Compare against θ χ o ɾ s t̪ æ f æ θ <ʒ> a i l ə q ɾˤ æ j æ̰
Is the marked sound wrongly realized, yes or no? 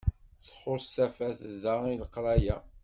yes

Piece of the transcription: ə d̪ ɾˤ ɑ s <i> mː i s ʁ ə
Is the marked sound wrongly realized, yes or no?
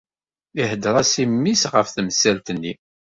no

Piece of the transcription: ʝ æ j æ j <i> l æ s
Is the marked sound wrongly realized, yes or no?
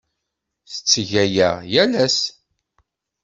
yes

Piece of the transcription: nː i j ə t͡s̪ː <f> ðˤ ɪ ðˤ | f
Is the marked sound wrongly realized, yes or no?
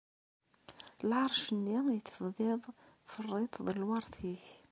no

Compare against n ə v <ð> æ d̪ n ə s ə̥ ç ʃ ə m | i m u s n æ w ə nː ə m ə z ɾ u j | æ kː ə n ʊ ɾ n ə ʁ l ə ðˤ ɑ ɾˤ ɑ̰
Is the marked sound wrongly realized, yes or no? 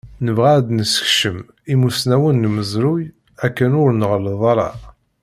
yes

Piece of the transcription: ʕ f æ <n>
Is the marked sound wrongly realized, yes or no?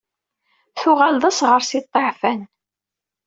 no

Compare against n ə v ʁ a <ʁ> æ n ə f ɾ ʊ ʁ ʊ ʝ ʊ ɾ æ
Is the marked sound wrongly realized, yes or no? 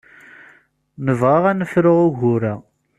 no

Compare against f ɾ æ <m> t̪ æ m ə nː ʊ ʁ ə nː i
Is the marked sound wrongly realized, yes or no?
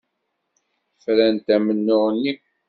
yes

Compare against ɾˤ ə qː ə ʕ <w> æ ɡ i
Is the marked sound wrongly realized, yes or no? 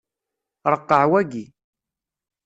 no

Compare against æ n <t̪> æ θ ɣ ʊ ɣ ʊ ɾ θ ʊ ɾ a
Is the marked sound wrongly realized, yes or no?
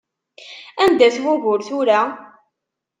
yes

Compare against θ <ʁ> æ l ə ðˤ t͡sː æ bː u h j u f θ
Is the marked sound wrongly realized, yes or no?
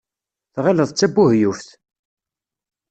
no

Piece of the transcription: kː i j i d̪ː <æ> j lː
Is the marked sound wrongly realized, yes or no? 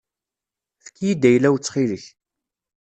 no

